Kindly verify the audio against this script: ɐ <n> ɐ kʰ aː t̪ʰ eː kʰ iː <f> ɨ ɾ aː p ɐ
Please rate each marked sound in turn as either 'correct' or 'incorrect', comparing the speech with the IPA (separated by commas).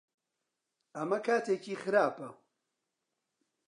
incorrect, incorrect